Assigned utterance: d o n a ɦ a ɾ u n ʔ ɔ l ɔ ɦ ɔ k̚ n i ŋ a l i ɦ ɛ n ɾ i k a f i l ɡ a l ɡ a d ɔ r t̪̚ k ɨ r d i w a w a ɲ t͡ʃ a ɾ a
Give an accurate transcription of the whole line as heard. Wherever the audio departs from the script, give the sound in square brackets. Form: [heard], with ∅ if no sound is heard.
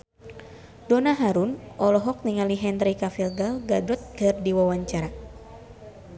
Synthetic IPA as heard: d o n a ɦ a ɾ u n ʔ ɔ l ɔ ɦ ɔ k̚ n i ŋ a l i ɦ ɛ n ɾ i k a f i l ɡ a l ɡ a d ɔ [∅] t̪̚ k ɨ r d i w a w a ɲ t͡ʃ a ɾ a